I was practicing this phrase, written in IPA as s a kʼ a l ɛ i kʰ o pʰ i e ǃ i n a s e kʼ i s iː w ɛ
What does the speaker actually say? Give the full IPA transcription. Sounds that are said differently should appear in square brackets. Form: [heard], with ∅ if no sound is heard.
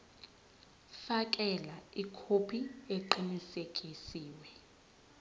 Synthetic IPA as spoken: [f] a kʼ [ɛ] l [a] i kʰ o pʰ i e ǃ i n [i] s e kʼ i s iː w ɛ

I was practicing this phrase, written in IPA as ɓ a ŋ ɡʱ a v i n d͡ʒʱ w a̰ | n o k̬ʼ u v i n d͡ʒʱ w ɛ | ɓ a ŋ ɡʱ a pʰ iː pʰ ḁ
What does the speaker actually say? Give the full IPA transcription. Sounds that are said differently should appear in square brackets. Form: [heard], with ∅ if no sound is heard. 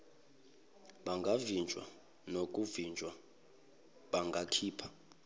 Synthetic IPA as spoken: ɓ a ŋ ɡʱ a v i n d͡ʒʱ w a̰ | n o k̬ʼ u v i n d͡ʒʱ w [a] | ɓ a ŋ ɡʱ a [kʰ] iː pʰ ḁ

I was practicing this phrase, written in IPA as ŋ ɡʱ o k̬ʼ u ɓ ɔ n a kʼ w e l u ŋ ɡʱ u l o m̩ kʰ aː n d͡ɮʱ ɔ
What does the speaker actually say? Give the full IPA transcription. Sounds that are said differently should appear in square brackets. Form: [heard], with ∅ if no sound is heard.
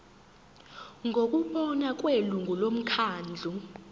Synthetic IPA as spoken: ŋ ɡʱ o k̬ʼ u ɓ ɔ n a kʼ w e l u ŋ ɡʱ u l o m̩ kʰ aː n d͡ɮʱ [u]

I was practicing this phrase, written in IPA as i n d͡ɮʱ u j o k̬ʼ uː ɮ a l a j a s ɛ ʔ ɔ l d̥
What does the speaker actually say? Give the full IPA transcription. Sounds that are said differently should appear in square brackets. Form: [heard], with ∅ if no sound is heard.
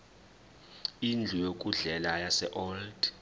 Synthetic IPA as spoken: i n d͡ɮʱ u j o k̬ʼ [u] ɮ [ɛ] l a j a s ɛ ʔ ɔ l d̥

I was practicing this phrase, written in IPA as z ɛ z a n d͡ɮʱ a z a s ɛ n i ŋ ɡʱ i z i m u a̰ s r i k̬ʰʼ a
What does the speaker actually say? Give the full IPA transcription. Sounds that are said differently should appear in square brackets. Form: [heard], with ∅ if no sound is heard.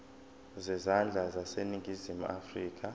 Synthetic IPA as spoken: z ɛ z a n d͡ɮʱ a z a s [e] n i ŋ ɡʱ i z i m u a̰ [f] r [iː] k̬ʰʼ a

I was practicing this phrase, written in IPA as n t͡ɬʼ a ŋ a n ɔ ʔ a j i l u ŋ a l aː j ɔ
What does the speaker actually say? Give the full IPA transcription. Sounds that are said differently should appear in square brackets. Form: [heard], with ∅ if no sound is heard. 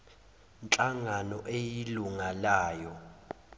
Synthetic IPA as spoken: n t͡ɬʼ a ŋ a n ɔ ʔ [e] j i l u ŋ a l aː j ɔ

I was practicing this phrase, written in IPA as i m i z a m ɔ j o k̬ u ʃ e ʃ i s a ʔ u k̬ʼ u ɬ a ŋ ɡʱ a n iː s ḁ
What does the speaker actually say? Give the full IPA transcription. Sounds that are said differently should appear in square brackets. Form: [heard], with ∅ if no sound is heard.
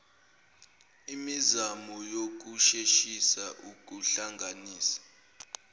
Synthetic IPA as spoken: i m i z a m ɔ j o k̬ u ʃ e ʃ i s a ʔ u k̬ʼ u ɬ a ŋ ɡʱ a n iː s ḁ

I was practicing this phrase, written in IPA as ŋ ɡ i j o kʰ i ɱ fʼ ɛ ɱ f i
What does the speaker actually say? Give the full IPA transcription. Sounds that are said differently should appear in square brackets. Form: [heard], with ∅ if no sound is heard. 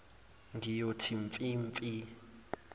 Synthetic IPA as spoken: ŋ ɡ i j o [tʰ] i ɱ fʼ [i] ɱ f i

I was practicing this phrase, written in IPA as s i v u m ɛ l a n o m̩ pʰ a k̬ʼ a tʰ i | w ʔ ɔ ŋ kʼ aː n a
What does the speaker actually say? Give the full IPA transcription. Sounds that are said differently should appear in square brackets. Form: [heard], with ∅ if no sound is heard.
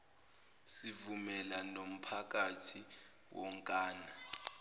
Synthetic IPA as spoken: s i v u m ɛ l a n o m̩ pʰ a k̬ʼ a tʰ i | w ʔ ɔ ŋ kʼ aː n a

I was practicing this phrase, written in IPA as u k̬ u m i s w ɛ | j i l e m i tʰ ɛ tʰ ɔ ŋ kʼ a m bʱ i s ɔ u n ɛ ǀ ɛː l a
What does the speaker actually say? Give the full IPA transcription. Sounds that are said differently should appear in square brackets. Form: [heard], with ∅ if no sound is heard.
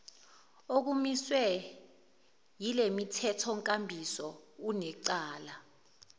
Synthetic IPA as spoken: [o] k̬ u m i s w ɛ | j i l e m i tʰ ɛ tʰ ɔ ŋ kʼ a m bʱ i s ɔ u n ɛ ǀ [aː] l a

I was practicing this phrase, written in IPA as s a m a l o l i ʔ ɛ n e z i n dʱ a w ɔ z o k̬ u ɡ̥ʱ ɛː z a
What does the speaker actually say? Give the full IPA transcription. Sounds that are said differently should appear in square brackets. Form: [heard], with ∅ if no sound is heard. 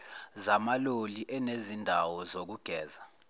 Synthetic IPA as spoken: [z] a m a l o l i ʔ ɛ n e z i n dʱ a w ɔ z o k̬ u ɡ̥ʱ ɛː z a

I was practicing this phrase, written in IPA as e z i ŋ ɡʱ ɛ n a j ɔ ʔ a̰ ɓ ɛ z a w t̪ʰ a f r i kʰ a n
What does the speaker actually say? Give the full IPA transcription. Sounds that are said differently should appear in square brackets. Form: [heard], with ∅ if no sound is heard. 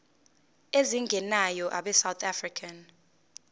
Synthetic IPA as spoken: e z i ŋ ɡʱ ɛ n a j ɔ ʔ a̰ ɓ ɛ [s] a w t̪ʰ a f r i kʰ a n

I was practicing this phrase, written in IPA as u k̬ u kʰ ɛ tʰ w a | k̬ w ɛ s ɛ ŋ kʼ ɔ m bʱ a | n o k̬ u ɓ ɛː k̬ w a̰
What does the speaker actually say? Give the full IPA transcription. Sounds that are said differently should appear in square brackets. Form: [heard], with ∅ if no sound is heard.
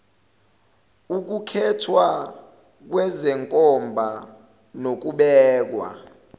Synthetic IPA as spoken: u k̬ u kʰ ɛ tʰ w a | k̬ w ɛ [z] ɛ ŋ kʼ ɔ m bʱ a | n o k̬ u ɓ ɛː k̬ w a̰

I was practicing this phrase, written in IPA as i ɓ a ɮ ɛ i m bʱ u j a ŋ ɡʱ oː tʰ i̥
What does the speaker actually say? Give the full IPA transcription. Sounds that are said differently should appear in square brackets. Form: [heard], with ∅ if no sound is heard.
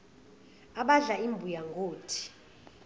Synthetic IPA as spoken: [a] ɓ a ɮ [a] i m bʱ u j a ŋ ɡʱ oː tʰ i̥

